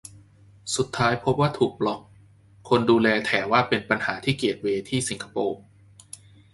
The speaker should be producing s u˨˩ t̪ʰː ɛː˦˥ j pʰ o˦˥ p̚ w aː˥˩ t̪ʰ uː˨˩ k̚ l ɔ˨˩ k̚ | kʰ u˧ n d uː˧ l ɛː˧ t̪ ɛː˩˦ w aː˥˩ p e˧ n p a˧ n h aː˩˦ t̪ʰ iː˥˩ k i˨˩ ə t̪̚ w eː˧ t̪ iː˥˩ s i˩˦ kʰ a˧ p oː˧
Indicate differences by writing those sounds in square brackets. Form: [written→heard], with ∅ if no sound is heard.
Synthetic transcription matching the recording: s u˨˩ t̪ʰː [ɛː˦˥→aː˦˥] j pʰ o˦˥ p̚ w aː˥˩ t̪ʰ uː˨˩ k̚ l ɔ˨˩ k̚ | kʰ [u˧→o˧] n d uː˧ l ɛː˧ [t̪→t̪ʰ] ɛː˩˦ w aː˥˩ p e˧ n p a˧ n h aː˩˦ t̪ʰ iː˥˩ k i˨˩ ə t̪̚ w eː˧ [t̪→t̪ʰ] iː˥˩ s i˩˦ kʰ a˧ p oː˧